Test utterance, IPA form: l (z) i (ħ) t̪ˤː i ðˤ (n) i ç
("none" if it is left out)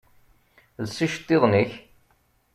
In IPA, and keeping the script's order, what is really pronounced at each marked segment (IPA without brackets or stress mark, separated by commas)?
s, ʃ, n